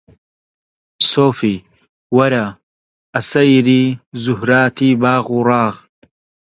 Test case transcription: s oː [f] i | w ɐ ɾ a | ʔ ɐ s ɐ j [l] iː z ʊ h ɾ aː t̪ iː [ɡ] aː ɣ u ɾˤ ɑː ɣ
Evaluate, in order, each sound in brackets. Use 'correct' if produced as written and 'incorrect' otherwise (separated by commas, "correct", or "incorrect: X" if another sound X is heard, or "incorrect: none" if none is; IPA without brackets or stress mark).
correct, incorrect: ɾ, incorrect: b